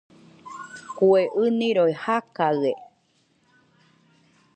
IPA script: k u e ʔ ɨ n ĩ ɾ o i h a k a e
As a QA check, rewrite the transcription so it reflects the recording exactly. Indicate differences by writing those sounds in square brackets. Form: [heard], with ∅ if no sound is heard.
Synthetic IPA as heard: k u e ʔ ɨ n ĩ ɾ o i h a k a e